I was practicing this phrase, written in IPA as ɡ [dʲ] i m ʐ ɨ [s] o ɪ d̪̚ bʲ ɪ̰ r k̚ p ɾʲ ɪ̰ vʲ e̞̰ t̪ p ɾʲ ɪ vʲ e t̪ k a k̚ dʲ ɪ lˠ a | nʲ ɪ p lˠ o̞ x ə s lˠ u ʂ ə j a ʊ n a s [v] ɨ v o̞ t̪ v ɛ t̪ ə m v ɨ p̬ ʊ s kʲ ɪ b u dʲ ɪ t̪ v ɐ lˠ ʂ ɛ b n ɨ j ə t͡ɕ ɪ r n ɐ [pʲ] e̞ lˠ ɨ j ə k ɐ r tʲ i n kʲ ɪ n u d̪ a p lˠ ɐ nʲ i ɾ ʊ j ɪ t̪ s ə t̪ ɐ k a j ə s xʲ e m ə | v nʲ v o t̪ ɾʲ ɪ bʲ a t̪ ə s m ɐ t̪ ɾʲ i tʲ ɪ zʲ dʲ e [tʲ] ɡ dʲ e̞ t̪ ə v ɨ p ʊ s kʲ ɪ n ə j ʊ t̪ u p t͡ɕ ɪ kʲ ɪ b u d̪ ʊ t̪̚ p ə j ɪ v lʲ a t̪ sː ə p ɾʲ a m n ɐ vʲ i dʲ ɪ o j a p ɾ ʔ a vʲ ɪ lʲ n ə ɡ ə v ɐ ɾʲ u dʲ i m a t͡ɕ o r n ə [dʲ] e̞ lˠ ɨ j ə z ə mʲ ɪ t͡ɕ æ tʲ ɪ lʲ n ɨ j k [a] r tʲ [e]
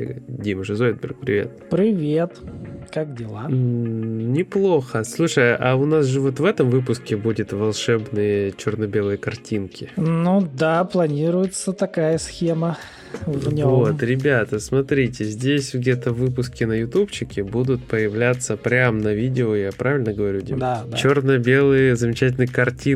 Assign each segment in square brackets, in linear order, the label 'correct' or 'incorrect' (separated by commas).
correct, incorrect, incorrect, incorrect, incorrect, incorrect, incorrect, incorrect